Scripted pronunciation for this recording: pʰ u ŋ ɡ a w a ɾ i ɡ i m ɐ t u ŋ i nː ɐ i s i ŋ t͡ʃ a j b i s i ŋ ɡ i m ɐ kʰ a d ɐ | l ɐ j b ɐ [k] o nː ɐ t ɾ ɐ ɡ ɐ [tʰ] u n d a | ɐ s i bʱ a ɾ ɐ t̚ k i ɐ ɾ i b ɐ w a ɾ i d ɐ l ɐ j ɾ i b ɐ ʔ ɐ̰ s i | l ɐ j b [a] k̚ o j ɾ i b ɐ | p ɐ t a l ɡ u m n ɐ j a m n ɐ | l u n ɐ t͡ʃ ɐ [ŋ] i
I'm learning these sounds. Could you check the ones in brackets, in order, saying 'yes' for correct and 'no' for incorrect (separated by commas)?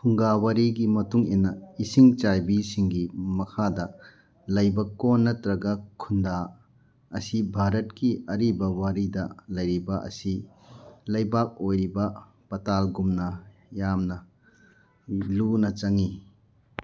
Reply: yes, no, yes, yes